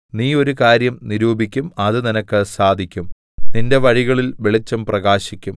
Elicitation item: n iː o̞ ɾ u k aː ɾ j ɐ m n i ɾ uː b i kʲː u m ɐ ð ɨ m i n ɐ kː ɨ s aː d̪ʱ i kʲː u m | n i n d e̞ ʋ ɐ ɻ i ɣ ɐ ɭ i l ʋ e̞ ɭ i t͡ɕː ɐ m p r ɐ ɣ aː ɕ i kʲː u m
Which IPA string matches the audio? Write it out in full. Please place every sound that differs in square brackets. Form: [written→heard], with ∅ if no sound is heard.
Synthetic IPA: n iː o̞ ɾ u k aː ɾ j ɐ m n i ɾ uː b i kʲː u m ɐ ð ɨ [m→n] i n ɐ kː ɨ s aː d̪ʱ i kʲː u m | n i n d e̞ ʋ ɐ ɻ i ɣ ɐ ɭ i l ʋ e̞ ɭ i t͡ɕː ɐ m p r ɐ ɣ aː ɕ i kʲː u m